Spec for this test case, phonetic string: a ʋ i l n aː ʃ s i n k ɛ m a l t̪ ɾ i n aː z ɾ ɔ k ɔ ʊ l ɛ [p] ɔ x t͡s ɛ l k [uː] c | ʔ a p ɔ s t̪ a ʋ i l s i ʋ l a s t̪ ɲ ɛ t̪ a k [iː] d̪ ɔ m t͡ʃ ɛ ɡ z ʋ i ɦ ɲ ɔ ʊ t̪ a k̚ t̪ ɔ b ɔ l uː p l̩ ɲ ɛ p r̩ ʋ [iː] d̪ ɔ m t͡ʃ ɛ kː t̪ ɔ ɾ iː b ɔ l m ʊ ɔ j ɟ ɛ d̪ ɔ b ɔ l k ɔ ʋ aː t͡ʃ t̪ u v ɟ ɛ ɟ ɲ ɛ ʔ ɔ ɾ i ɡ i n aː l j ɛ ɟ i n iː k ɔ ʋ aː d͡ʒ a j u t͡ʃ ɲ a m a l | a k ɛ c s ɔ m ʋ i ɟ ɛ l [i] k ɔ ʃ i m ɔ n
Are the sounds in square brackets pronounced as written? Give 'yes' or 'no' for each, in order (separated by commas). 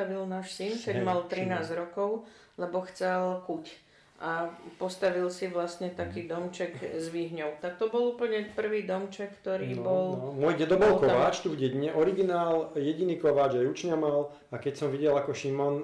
no, no, yes, yes, no